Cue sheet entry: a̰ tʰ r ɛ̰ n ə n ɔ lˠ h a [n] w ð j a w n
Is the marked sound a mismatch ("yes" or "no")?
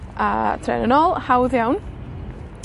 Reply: yes